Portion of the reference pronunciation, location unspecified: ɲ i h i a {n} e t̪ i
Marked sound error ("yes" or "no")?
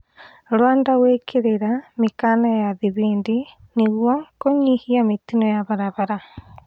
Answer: yes